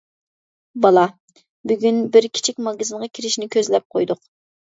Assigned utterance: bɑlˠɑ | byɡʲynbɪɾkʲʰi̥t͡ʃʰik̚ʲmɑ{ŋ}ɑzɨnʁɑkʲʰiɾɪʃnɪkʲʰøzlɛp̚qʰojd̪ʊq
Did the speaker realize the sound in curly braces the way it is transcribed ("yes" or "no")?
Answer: no